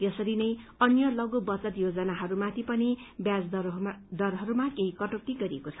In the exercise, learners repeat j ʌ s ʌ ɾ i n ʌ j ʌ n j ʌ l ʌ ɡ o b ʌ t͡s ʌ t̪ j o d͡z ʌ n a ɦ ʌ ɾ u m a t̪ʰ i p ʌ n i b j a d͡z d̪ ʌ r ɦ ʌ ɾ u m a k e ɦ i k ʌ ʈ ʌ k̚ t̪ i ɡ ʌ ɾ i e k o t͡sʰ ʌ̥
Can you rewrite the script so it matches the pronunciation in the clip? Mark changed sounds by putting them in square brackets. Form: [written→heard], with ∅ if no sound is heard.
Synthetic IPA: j ʌ s ʌ ɾ i n ʌ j ʌ n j ʌ l ʌ ɡ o b ʌ t͡s ʌ t̪ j o d͡z ʌ n a ɦ ʌ ɾ u m a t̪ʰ i p ʌ n i b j a d͡z d̪ ʌ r ɦ ʌ ɾ u m a k e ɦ i k ʌ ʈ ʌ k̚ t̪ i ɡ ʌ ɾ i e k o t͡sʰ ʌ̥